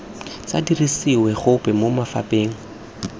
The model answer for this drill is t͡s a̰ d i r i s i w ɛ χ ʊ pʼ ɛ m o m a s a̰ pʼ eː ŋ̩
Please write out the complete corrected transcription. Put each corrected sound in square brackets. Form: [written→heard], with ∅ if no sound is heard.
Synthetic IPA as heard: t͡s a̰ d i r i s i w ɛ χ ʊ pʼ ɛ m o m a [s→f] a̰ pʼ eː ŋ̩